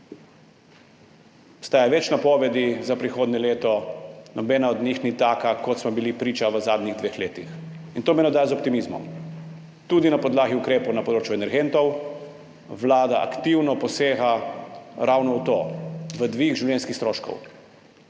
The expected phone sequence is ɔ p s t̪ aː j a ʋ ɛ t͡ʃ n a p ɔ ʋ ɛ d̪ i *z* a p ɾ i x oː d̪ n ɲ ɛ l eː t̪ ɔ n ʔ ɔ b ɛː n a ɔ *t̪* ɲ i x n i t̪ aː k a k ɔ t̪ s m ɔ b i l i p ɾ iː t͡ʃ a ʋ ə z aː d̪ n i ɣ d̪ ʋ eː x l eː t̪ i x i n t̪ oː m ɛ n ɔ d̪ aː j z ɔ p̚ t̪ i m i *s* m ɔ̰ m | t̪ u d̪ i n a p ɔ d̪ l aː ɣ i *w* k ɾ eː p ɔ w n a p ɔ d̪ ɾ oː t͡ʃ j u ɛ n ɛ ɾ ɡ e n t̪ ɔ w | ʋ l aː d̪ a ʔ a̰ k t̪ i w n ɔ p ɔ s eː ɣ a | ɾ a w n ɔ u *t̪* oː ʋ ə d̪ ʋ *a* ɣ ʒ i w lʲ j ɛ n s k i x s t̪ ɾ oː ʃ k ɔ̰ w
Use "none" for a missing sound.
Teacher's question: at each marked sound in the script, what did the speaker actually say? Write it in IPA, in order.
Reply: z, d̪, z, u, t̪, i

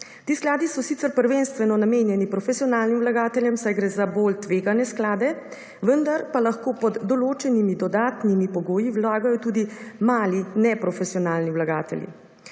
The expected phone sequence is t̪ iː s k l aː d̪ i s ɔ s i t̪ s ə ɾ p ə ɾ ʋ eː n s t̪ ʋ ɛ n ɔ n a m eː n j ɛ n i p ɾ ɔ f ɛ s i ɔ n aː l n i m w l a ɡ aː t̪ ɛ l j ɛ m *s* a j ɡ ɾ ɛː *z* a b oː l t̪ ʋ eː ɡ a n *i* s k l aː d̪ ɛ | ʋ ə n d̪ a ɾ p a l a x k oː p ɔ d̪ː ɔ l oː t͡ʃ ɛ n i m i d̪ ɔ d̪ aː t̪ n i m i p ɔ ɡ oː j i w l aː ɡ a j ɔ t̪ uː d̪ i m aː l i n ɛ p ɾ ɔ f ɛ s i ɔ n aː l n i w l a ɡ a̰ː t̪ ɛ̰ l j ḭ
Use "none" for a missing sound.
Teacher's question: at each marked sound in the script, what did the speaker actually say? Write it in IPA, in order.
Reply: s, z, ɛ

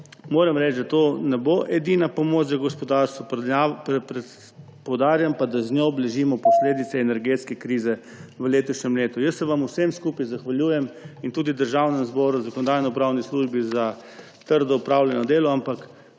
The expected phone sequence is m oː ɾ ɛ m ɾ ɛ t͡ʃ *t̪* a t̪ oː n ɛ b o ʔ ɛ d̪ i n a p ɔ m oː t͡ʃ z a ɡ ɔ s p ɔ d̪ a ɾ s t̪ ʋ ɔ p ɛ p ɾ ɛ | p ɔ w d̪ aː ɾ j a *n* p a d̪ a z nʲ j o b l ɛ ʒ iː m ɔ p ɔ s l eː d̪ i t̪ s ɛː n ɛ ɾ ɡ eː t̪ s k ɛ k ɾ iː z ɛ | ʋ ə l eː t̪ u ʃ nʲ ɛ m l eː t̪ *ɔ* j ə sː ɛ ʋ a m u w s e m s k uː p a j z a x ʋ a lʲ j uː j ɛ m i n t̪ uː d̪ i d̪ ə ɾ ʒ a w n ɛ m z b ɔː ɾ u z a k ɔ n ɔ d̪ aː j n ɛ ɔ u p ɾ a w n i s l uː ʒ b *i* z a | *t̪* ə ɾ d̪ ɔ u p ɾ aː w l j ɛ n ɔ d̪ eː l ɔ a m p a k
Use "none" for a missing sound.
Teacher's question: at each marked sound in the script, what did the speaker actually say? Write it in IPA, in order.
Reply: d̪, m, u, i, t̪

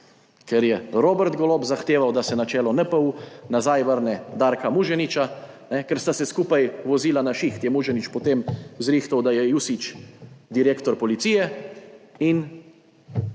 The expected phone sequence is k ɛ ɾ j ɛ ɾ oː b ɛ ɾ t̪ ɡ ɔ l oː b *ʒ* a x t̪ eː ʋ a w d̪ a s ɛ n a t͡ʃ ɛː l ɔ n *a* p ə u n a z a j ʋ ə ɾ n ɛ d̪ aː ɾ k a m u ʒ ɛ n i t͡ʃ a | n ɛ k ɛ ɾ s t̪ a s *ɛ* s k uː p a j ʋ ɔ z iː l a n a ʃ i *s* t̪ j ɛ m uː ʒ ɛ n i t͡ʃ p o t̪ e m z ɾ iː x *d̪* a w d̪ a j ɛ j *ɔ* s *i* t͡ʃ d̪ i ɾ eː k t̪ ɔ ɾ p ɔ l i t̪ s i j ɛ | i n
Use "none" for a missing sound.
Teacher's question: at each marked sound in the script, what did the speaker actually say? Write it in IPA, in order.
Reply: z, ɛ, ɛ, x, t̪, u, i

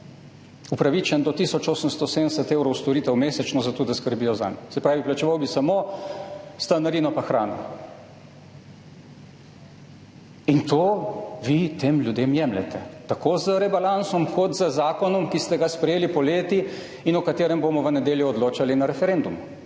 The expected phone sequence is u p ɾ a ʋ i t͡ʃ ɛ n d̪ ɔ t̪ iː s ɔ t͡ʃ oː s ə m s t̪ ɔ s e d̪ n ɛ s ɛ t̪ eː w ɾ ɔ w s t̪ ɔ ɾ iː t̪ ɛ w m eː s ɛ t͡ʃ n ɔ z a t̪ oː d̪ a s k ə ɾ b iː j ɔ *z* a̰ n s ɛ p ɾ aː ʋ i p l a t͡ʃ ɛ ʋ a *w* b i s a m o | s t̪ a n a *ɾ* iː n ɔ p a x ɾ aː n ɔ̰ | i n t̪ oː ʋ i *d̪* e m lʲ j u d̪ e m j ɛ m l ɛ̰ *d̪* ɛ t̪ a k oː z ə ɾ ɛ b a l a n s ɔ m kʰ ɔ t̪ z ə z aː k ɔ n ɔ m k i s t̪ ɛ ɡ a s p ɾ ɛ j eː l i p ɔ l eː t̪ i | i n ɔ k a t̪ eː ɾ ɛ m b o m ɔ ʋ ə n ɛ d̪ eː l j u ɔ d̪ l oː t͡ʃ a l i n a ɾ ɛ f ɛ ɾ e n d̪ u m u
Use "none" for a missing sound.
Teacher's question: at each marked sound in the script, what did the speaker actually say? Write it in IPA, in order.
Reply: z, w, ɾ, t̪, t̪

